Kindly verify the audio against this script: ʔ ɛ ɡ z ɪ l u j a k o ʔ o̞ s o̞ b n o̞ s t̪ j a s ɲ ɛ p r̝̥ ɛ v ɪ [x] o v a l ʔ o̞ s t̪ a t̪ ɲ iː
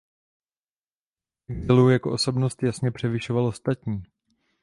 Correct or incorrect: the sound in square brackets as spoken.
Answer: incorrect: ʃ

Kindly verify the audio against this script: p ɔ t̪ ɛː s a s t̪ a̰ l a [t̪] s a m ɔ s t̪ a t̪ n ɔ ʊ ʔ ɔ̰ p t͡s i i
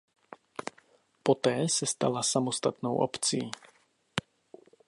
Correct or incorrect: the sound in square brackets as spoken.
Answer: incorrect: none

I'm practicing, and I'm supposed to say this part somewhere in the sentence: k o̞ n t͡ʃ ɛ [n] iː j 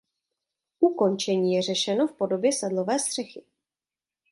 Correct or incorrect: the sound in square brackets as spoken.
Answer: incorrect: ɲ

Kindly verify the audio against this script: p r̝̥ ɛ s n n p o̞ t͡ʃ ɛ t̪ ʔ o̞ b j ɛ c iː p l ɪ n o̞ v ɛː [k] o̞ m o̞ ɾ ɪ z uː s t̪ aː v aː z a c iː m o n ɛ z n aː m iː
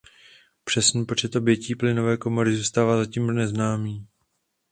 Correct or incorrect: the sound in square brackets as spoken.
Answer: correct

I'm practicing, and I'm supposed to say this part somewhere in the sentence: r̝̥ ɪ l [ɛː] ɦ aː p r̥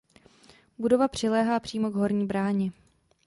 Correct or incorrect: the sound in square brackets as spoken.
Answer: correct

